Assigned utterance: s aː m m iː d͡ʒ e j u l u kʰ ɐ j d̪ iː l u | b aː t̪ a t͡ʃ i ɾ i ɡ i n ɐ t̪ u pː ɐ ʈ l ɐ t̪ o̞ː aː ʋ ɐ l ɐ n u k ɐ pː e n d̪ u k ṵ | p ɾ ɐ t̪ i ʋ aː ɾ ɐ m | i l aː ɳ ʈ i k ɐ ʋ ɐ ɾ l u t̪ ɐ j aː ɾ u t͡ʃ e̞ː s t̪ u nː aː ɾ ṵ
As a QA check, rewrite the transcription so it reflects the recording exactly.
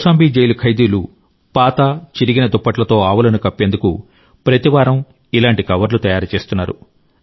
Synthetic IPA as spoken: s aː m b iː d͡ʒ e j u l u kʰ ɐ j d̪ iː l u | p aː t̪ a t͡ʃ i ɾ i ɡ i n ɐ d̪ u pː ɐ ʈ l ɐ t̪ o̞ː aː ʋ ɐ l ɐ n u k ɐ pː e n d̪ u k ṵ | p ɾ ɐ t̪ i ʋ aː ɾ ɐ m | i l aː ɳ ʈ i k ɐ ʋ ɐ ɾ l u t̪ ɐ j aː ɾ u t͡ʃ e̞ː s t̪ u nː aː ɾ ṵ